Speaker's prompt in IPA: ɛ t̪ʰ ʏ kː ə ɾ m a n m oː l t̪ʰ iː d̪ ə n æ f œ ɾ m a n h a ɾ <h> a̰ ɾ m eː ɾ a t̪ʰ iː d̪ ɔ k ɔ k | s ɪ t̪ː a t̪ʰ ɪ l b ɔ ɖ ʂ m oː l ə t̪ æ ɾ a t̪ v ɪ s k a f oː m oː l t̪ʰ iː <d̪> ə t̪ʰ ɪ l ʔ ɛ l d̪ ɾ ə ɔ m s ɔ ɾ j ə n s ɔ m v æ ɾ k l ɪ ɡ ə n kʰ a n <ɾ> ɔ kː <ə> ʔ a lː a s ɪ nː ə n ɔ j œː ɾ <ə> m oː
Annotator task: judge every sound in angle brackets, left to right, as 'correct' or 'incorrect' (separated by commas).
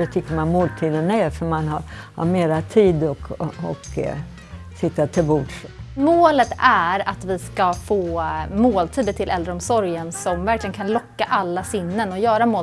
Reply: correct, correct, incorrect, incorrect, incorrect